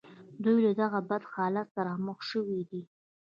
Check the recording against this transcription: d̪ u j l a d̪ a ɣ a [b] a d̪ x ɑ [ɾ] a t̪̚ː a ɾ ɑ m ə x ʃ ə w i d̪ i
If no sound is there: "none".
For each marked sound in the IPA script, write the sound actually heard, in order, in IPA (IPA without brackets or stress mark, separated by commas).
b, l